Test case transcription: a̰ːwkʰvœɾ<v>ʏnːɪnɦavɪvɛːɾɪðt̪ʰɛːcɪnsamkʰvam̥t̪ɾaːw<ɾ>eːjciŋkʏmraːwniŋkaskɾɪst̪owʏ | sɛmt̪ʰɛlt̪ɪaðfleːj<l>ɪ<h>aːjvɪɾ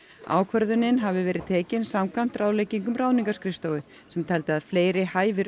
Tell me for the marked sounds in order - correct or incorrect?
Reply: incorrect: ð, incorrect: l, incorrect: ɾ, correct

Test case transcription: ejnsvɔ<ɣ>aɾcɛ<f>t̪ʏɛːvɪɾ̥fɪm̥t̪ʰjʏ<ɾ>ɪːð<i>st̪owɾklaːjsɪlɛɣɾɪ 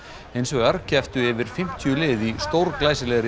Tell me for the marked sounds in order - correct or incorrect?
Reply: correct, correct, incorrect: l, correct

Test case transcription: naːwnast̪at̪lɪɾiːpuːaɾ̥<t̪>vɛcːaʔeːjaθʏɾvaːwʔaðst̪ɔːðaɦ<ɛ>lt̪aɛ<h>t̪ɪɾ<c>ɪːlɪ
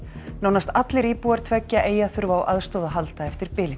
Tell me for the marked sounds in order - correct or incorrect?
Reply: incorrect: t̪ʰ, incorrect: a, incorrect: f, incorrect: p

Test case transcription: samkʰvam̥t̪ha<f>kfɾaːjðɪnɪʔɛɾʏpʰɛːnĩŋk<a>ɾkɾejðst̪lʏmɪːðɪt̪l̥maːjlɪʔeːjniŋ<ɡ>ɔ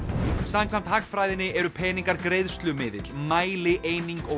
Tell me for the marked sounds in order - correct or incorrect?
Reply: incorrect: none, correct, incorrect: k

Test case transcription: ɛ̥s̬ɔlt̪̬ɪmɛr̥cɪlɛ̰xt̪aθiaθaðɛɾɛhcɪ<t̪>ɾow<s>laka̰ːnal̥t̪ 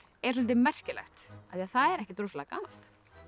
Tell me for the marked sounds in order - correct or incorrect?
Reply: correct, correct

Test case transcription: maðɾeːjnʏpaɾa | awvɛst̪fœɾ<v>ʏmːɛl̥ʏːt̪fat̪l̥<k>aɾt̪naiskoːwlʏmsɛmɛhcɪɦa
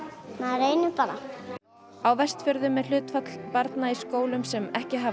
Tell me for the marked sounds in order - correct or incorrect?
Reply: incorrect: ð, incorrect: p

